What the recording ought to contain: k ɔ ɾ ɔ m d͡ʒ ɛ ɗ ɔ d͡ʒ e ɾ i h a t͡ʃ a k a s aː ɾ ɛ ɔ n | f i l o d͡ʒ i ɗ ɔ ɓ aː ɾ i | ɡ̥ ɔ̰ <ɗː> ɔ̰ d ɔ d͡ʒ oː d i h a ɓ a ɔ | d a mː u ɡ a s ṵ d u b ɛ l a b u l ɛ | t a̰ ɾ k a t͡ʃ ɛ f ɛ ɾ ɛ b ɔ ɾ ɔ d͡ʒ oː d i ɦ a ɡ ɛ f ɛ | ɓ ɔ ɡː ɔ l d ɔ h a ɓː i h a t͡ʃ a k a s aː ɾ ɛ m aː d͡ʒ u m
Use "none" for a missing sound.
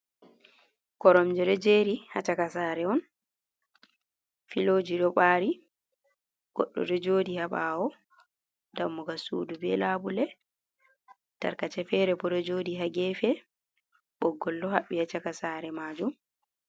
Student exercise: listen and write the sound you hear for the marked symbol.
ɗː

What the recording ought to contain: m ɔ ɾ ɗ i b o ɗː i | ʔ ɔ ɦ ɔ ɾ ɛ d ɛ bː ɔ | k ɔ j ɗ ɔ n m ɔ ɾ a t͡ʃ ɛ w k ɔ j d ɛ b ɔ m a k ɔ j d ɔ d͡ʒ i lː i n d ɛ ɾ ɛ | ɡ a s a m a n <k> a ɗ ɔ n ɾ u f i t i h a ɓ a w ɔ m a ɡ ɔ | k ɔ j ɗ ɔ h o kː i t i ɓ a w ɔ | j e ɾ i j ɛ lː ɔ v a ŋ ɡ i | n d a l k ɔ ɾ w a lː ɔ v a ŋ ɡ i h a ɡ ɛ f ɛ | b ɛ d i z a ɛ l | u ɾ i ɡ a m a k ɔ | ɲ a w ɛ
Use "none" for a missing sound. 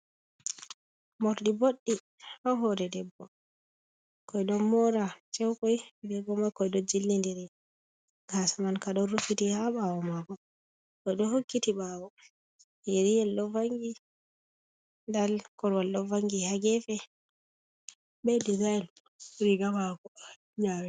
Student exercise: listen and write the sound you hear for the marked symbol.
k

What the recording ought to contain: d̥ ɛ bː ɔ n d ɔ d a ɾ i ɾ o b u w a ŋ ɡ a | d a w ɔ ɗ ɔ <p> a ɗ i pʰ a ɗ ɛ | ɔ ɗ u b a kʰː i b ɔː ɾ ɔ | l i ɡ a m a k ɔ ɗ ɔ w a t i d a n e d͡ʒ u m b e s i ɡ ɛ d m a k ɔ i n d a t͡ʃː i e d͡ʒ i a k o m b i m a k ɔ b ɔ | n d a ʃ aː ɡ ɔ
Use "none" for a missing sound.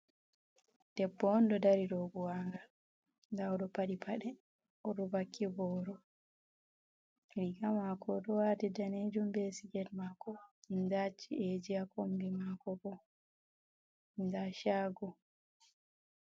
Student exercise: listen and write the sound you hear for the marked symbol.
p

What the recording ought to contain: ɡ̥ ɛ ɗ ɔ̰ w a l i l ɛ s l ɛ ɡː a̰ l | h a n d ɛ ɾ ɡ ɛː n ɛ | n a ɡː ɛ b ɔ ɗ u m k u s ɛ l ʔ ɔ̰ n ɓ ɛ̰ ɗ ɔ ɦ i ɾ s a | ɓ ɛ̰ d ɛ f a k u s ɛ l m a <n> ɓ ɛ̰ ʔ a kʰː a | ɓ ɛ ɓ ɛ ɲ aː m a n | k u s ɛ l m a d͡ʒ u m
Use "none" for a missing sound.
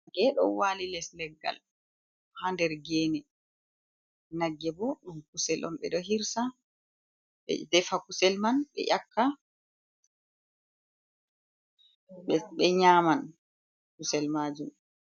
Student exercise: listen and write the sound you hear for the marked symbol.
n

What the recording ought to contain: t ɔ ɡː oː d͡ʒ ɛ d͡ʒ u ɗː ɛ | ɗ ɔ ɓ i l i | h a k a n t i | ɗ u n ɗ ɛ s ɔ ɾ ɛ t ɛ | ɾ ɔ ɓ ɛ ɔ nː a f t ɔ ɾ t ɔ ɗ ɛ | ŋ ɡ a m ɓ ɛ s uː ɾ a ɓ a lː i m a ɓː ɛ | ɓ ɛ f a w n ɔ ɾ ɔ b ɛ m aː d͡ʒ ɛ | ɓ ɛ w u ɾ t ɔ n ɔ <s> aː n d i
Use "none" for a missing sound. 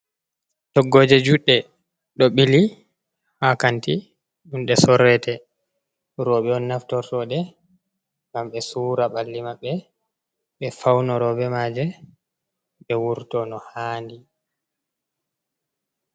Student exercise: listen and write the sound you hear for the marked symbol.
h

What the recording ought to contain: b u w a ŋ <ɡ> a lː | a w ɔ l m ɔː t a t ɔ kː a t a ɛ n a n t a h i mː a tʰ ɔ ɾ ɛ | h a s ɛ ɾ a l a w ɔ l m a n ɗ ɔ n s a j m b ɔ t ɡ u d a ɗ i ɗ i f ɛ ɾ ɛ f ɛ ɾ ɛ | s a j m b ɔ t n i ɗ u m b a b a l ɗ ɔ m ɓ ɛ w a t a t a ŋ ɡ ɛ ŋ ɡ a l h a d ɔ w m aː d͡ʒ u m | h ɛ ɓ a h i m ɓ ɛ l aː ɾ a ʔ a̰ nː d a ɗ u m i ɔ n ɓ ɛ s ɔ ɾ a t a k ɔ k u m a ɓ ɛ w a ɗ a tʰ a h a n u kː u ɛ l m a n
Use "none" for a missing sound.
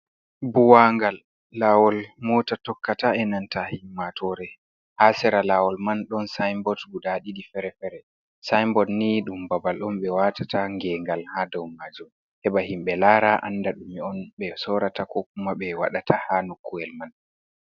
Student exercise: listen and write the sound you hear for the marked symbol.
ɡ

